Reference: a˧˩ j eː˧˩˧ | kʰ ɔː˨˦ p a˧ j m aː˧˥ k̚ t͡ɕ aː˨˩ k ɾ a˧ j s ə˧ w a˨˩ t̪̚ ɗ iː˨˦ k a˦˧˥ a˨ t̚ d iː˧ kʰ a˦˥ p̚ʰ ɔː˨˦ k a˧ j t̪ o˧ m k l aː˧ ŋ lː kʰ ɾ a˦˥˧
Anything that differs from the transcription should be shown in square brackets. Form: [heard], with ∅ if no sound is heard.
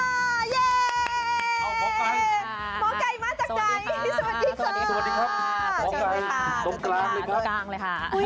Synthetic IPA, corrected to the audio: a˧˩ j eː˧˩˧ | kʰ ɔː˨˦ [k] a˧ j m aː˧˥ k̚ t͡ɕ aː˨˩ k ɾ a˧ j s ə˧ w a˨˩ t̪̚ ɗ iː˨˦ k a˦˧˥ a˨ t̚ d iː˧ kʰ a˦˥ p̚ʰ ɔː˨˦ k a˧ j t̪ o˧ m k l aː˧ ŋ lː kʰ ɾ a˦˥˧